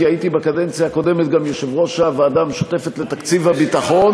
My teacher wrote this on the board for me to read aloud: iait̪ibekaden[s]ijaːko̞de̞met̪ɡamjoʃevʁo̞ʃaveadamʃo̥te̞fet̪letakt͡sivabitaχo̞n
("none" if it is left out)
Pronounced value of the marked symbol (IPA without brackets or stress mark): t͡s